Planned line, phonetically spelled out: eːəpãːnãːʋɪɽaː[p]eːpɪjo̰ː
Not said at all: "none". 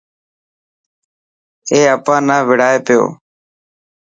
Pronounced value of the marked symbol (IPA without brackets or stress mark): none